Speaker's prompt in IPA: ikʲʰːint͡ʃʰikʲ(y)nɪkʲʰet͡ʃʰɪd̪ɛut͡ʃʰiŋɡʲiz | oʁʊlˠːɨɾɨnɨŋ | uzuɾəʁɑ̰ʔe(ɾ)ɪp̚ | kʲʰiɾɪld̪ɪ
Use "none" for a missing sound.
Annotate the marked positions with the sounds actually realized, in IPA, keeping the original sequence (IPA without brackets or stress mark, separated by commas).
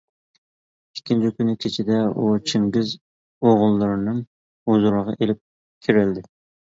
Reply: y, l